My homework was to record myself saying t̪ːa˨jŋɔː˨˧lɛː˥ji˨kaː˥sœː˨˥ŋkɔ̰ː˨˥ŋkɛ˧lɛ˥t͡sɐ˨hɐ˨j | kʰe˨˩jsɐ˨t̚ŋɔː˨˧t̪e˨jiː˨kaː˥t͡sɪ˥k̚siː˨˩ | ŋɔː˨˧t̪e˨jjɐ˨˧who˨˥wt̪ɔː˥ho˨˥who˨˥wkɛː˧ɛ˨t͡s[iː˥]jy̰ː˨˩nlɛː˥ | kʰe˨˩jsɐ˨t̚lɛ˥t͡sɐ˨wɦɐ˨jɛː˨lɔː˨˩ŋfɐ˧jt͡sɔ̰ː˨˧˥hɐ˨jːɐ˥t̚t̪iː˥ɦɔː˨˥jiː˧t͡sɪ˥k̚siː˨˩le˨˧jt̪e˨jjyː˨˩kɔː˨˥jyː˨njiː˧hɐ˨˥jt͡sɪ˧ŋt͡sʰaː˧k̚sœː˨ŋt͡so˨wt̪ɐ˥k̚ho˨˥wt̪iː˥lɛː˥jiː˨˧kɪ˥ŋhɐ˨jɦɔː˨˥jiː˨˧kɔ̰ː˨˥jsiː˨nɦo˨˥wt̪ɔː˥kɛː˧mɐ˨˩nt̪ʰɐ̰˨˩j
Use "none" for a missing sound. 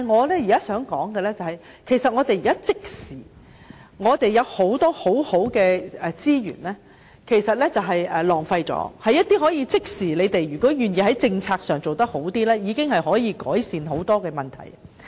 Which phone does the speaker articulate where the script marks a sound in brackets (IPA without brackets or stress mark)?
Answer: iː˥